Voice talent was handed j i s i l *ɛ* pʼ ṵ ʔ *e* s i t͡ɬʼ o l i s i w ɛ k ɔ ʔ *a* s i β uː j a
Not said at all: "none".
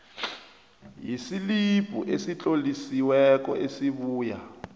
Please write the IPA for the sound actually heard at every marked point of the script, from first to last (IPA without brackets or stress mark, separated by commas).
i, e, e